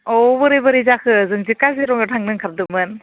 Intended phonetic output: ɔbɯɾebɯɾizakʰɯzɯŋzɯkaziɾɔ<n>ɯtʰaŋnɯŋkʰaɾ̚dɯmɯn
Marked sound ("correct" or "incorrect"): incorrect